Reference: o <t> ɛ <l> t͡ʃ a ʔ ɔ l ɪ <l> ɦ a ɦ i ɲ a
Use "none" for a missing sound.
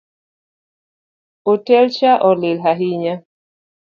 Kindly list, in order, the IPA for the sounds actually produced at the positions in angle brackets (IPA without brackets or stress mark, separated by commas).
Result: t, l, l